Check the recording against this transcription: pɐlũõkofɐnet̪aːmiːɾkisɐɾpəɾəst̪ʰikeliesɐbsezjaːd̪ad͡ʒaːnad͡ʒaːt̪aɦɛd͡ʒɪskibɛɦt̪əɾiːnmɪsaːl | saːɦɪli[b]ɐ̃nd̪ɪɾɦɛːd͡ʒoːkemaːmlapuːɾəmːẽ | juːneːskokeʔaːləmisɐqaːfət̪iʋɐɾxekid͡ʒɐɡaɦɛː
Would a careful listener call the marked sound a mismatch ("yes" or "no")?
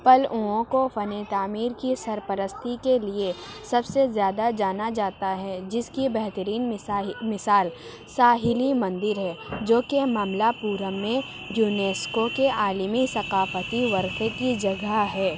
yes